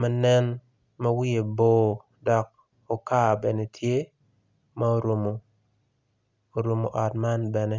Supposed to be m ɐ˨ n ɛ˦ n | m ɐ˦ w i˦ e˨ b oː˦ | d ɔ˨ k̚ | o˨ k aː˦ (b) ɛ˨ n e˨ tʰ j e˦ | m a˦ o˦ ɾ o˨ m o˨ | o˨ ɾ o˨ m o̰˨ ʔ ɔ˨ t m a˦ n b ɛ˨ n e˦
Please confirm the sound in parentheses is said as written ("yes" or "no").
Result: yes